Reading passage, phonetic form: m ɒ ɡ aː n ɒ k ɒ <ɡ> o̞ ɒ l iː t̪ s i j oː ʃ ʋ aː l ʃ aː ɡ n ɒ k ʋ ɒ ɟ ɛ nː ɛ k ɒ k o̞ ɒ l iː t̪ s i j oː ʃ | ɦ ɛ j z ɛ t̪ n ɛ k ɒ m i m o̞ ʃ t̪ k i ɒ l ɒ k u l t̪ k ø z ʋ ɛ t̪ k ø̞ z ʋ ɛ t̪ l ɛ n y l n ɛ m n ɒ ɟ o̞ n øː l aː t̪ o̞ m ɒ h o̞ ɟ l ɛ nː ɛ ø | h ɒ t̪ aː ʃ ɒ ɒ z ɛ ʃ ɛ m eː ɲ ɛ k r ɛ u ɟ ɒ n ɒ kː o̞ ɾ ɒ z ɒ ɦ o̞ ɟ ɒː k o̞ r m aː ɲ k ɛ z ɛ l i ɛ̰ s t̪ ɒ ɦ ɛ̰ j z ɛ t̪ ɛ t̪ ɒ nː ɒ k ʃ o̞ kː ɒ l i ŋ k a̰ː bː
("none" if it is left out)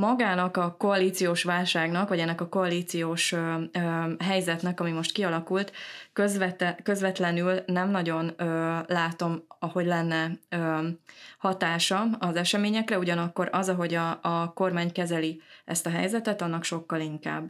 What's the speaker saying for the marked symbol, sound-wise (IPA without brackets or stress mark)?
k